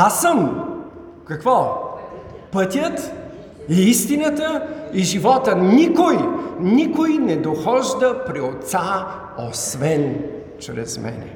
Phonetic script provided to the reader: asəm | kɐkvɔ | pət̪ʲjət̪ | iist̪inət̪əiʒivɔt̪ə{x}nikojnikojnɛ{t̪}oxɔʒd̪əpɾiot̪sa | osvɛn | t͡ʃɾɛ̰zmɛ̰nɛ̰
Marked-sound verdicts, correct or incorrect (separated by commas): incorrect, incorrect